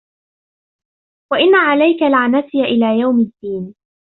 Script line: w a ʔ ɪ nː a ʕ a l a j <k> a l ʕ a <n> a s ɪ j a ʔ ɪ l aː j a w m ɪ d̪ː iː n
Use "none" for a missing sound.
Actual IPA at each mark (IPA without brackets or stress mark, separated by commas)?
k, n